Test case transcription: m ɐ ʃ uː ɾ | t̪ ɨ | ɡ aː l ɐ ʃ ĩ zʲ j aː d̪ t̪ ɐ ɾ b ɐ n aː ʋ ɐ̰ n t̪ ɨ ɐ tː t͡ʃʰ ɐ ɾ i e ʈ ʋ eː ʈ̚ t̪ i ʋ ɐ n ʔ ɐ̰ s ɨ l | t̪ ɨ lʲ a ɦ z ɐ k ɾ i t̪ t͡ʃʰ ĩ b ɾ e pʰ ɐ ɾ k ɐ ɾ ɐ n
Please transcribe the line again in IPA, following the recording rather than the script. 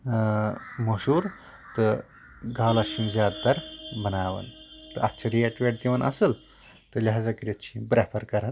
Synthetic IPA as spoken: m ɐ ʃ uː ɾ | t̪ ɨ | ɡ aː l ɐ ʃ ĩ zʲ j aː d̪ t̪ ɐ ɾ b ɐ n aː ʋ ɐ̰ n t̪ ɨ ɐ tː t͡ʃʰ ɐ ɾ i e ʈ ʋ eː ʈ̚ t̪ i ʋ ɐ n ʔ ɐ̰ s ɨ l | t̪ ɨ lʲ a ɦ z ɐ k ɾ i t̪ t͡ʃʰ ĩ b ɾ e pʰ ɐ ɾ k ɐ ɾ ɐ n